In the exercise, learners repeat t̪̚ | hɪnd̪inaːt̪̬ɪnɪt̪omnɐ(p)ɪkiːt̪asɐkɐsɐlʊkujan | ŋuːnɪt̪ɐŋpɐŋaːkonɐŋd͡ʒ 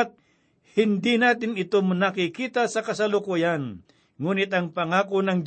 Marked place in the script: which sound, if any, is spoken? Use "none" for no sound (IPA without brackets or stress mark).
k